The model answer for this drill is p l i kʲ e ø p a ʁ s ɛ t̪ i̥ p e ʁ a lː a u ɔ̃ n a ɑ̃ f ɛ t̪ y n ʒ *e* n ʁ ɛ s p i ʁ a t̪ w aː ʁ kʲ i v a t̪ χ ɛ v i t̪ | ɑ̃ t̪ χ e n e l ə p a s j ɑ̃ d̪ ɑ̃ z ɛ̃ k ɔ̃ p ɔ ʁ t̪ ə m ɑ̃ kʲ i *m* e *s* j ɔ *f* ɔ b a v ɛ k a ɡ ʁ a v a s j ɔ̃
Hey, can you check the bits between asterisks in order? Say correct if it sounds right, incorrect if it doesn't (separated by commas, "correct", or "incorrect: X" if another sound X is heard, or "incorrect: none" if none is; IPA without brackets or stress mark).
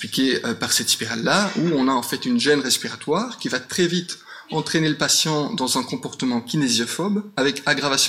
incorrect: ɛ, incorrect: n, incorrect: z, correct